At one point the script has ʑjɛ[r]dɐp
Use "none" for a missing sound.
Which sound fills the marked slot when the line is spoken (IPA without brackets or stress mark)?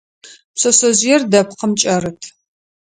r